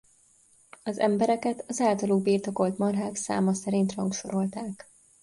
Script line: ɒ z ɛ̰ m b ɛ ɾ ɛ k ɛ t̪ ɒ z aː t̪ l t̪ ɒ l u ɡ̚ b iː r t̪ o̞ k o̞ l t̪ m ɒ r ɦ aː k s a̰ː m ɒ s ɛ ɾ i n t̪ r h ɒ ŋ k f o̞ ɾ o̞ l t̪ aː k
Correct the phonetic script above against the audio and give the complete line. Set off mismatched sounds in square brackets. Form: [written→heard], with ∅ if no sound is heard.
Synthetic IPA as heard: ɒ z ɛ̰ m b ɛ ɾ ɛ k ɛ t̪ ɒ z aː [t̪→∅] l t̪ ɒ l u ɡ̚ b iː r t̪ o̞ k o̞ l t̪ m ɒ r ɦ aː k s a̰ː m ɒ s ɛ ɾ i n t̪ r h ɒ ŋ k [f→ʃ] o̞ ɾ o̞ l t̪ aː k